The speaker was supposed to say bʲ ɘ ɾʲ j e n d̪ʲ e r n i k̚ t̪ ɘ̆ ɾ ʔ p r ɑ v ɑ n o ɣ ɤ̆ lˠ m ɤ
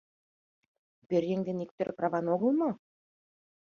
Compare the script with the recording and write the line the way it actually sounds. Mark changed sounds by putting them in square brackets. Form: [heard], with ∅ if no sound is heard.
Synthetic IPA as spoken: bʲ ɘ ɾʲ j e [ŋ] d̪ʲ e [∅] n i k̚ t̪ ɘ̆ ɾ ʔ p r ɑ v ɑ n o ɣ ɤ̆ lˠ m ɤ